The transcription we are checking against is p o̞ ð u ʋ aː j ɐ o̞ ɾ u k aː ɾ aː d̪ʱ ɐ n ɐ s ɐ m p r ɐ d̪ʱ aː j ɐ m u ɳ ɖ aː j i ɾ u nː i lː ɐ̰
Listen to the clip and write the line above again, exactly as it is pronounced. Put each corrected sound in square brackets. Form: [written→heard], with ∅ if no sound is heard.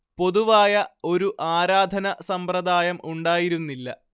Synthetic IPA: p o̞ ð u ʋ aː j ɐ o̞ ɾ u [k→ʔ] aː ɾ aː d̪ʱ ɐ n ɐ s ɐ m p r ɐ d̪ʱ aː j ɐ m u ɳ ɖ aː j i ɾ u nː i lː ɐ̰